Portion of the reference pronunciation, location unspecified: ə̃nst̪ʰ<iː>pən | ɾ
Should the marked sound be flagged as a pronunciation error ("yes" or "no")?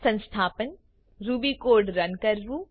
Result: yes